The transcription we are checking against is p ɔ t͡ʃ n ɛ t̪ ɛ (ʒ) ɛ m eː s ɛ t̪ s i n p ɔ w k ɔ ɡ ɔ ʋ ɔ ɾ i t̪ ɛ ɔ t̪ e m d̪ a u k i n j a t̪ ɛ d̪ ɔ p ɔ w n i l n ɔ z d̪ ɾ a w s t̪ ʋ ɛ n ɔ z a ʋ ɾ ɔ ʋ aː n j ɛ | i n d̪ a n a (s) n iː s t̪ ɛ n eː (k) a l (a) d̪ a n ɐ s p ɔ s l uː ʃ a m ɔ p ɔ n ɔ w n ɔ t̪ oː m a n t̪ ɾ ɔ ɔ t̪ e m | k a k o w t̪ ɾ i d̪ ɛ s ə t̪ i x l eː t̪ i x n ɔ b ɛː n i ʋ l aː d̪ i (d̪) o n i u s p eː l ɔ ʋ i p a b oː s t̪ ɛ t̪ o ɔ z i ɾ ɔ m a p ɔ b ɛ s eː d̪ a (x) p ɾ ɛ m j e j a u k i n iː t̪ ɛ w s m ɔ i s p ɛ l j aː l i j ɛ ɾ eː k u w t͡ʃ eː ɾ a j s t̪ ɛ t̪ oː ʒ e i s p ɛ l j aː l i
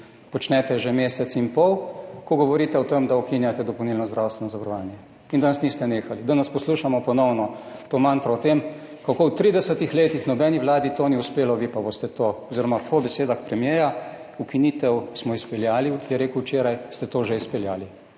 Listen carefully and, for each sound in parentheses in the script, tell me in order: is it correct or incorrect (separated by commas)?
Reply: correct, correct, incorrect, incorrect, incorrect, correct